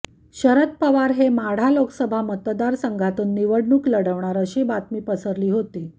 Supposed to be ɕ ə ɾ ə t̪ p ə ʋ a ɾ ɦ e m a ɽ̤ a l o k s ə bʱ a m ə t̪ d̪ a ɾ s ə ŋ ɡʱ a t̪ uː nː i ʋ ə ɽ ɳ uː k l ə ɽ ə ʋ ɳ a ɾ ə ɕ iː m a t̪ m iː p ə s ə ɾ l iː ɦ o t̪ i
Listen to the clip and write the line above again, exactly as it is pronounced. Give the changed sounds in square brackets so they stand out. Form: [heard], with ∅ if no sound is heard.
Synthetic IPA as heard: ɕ ə ɾ ə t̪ p ə ʋ a ɾ ɦ e m a ɽ̤ a l o k s ə bʱ a m ə t̪ d̪ a ɾ s ə ŋ ɡʱ a t̪ uː nː i ʋ ə ɽ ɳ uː k l ə ɽ ə ʋ ɳ a ɾ ə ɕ iː [b] a t̪ m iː p ə s ə ɾ l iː ɦ o t̪ i